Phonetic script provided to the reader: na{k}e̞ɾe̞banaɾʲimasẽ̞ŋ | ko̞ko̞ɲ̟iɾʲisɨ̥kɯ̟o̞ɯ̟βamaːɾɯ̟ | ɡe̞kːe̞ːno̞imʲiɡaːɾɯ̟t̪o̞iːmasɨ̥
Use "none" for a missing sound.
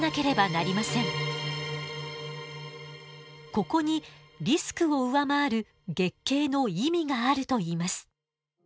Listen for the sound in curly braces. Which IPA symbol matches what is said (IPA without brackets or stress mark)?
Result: k